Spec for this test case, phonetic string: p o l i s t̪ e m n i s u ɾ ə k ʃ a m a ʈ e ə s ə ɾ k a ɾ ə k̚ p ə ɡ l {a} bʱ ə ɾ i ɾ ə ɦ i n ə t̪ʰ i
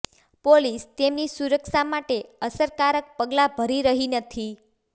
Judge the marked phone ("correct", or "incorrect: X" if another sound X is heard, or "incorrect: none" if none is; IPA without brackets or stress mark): correct